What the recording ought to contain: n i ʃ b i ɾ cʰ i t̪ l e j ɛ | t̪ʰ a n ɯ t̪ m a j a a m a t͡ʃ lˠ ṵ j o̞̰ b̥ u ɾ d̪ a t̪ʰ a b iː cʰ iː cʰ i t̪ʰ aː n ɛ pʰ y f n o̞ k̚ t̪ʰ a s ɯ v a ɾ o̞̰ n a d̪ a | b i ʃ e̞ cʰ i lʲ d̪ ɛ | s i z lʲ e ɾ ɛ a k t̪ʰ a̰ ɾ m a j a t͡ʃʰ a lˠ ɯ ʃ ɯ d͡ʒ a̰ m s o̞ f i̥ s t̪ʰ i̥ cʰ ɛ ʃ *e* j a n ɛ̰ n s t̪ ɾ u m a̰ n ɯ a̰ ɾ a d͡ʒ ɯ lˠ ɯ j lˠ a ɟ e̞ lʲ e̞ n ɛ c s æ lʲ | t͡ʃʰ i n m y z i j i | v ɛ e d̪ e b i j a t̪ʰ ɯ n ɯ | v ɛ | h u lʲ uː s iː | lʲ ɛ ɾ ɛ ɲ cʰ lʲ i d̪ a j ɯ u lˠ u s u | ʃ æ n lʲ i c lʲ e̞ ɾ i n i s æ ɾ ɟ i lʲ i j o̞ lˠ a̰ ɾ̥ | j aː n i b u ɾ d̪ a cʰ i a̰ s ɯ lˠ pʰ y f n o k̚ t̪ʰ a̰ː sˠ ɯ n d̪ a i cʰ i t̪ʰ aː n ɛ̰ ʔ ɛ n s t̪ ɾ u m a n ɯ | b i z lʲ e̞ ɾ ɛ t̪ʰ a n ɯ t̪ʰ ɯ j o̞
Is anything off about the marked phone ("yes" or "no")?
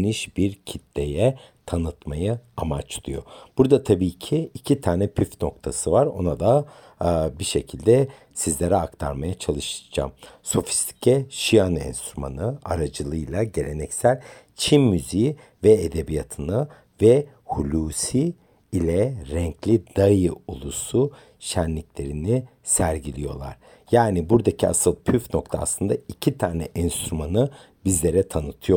yes